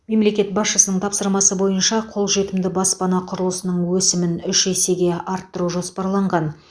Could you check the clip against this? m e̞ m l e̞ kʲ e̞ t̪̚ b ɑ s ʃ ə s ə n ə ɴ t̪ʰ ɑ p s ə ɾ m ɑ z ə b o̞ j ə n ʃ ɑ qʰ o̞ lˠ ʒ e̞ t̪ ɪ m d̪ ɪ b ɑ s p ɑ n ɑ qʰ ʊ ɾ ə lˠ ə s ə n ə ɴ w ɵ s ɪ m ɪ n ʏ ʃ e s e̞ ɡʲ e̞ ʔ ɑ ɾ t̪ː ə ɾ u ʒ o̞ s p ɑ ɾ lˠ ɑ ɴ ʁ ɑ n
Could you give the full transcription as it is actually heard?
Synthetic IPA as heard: m e̞ m l e̞ kʲ e̞ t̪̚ b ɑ s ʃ ə s ə n ə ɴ t̪ʰ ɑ p s ə ɾ m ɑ s ə b o̞ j ə n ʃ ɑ qʰ o̞ lˠ ʒ e̞ t̪ ɪ m d̪ ɪ b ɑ s p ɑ n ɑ qʰ ʊ ɾ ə lˠ ə s ə n ə ɴ w ɵ s ɪ m ɪ n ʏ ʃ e s e̞ ɡʲ e̞ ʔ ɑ ɾ t̪ː ə ɾ u ʒ o̞ s p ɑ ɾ lˠ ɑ ɴ ʁ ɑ n

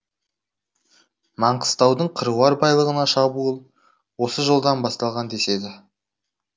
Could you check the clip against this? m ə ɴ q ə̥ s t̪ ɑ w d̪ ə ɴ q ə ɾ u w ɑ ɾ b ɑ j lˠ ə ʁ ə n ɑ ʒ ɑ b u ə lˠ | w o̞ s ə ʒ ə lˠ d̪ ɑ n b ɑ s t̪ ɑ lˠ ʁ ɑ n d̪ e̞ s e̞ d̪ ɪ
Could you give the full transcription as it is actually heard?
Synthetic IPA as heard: m ɑ ɴ q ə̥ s t̪ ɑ w d̪ ə ɴ qʰ ə ɾ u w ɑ ɾ b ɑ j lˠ ə ʁ ə n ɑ ʃ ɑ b u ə lˠ | w o̞ s ə ʒ ə lˠ d̪ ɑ n b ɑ s t̪ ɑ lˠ ʁ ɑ n d̪ e̞ s e̞ d̪ ɪ

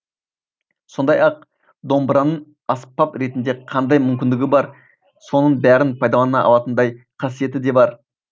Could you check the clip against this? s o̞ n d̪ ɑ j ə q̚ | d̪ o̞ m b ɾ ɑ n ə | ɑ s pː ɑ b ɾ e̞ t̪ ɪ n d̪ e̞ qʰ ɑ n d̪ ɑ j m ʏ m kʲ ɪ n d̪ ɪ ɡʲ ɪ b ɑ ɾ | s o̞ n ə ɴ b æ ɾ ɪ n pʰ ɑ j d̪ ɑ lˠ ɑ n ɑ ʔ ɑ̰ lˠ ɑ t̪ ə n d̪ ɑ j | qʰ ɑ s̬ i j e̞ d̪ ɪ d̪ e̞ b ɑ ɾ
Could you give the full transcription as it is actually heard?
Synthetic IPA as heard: s o̞ n d̪ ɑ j ɑ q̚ | d̪ o̞ m b ɾ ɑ n ə | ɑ s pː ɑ p ɾ e̞ t̪ ɪ n d̪ e̞ qʰ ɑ n d̪ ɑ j m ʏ m kʲ ɪ n d̪ ɪ ɡʲ ɪ b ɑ ɾ | s o̞ n ə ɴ b æ ɾ ɪ n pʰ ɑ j d̪ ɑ lˠ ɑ n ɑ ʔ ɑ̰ lˠ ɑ t̪ ə n d̪ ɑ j | qʰ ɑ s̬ i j e̞ t̪ ɪ d̪ e̞ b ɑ ɾ

